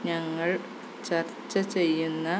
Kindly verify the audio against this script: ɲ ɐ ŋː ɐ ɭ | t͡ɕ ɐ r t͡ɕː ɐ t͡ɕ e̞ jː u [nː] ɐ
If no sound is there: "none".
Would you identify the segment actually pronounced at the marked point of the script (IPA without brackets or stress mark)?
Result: nː